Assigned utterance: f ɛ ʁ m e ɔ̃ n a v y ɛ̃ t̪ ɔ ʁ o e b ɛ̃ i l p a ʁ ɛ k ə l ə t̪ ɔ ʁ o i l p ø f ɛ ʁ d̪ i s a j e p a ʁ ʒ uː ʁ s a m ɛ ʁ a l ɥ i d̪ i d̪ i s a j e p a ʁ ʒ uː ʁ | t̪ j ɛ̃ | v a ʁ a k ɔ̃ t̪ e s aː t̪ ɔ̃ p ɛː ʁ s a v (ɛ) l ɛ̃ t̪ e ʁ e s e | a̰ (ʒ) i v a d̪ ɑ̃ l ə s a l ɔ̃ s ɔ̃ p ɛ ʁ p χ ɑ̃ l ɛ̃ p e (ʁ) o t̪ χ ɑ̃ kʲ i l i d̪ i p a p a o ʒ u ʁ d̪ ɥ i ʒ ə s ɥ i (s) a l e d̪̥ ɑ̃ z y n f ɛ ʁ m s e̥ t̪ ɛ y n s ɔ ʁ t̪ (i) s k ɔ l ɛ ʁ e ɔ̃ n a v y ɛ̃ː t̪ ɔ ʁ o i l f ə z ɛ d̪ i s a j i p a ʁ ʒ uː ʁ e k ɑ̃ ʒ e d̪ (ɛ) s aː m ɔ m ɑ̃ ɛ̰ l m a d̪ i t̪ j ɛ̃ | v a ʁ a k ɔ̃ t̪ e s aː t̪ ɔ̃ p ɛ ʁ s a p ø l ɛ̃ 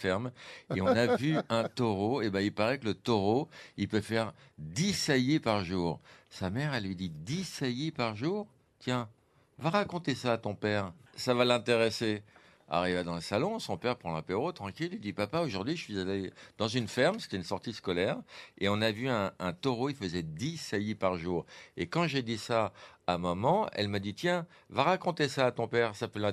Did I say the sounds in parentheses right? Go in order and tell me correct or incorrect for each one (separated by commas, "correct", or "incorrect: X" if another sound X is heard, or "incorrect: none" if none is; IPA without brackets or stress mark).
incorrect: a, incorrect: ʁ, correct, incorrect: z, correct, incorrect: i